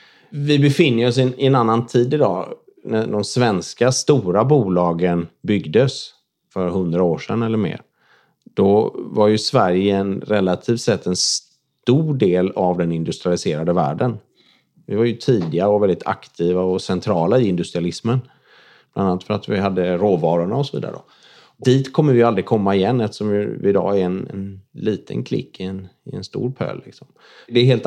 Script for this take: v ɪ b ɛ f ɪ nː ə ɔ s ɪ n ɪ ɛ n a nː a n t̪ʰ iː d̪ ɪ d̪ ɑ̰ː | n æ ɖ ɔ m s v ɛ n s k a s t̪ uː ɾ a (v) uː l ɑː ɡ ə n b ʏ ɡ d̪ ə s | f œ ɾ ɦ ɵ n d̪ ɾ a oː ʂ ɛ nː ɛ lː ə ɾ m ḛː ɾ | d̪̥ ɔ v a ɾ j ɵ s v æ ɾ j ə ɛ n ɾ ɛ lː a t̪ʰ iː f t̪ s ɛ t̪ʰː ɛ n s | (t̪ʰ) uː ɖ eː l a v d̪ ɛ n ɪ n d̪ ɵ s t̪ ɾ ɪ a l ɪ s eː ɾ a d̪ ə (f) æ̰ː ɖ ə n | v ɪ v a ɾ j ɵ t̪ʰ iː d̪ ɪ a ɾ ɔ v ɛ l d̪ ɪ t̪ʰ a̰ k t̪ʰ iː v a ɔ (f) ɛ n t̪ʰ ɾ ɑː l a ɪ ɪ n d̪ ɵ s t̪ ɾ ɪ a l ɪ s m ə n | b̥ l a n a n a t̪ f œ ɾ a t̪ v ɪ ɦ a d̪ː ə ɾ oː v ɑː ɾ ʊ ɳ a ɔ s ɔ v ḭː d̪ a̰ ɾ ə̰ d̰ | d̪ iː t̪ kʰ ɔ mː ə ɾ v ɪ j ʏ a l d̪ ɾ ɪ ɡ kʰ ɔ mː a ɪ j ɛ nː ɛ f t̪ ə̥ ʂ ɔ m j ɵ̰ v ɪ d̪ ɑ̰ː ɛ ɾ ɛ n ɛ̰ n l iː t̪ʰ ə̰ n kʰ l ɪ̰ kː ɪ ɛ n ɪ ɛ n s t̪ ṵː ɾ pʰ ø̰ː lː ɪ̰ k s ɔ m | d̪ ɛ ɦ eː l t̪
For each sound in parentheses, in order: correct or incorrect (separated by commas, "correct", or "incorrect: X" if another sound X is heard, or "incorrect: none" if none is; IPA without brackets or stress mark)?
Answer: incorrect: b, incorrect: t̪, incorrect: v, incorrect: s